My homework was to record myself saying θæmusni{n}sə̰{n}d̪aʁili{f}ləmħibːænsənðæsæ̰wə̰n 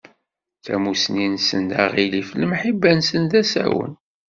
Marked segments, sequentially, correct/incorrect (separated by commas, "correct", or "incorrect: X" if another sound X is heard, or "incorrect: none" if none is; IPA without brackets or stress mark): correct, correct, correct